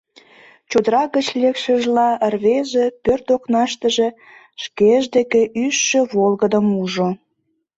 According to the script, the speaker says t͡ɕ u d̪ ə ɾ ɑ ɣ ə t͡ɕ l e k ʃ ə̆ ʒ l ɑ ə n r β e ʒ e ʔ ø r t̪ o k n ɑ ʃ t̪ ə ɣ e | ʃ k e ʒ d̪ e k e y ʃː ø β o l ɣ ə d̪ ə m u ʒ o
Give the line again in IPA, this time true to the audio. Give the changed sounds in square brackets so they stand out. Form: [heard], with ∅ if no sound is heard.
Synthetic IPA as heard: t͡ɕ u d̪ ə ɾ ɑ ɣ ə t͡ɕ l e k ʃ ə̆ ʒ l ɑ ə [∅] r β e ʒ e [p] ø r t̪ o k n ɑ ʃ t̪ ə [ʒ] e | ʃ k e ʒ d̪ e k e y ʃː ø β o l ɣ ə d̪ ə m u ʒ o